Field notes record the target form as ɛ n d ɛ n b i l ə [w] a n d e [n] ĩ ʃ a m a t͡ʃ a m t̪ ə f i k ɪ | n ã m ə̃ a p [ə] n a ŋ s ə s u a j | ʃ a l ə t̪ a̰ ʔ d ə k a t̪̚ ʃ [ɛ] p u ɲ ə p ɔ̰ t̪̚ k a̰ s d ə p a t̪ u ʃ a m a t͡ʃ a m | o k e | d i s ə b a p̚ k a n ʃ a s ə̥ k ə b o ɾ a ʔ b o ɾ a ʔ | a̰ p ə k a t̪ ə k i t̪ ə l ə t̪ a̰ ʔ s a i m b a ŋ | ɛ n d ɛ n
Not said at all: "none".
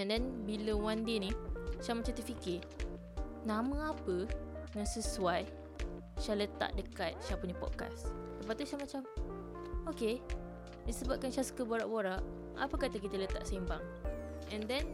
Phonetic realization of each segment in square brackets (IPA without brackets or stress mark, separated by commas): w, n, ə, a